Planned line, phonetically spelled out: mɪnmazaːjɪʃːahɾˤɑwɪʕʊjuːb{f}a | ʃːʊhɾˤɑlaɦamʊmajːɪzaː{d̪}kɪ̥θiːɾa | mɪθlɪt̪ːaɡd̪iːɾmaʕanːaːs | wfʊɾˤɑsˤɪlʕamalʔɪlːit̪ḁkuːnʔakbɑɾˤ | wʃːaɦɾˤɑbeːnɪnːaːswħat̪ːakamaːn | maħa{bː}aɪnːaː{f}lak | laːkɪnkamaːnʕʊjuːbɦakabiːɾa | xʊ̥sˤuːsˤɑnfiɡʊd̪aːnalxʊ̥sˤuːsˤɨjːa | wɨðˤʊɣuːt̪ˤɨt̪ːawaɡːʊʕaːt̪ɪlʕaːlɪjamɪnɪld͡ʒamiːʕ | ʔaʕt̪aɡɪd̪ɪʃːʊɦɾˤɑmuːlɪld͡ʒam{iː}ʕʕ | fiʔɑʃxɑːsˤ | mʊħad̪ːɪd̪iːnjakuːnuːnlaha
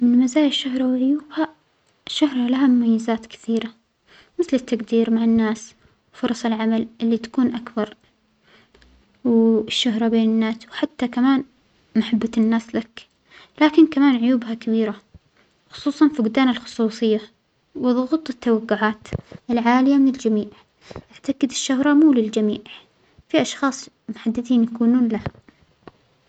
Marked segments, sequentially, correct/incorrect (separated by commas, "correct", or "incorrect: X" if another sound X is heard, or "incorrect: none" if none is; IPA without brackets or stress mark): incorrect: h, incorrect: t̪, correct, incorrect: s, correct